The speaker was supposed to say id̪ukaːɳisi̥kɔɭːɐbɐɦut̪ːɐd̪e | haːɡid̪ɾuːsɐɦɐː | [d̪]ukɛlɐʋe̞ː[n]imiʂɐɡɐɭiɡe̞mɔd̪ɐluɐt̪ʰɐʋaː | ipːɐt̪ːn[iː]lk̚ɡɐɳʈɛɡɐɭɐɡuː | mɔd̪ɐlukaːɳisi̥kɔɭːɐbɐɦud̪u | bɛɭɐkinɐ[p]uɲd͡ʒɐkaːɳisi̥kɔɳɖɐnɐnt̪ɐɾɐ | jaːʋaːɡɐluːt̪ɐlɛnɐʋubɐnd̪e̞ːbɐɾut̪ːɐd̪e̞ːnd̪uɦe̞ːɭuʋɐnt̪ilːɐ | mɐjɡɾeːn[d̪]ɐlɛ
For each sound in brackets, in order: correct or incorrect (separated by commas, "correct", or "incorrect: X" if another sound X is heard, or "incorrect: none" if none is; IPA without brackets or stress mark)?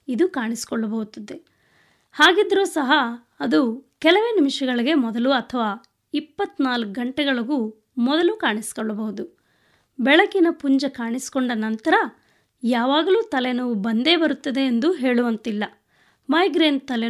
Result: correct, correct, incorrect: aː, correct, incorrect: t̪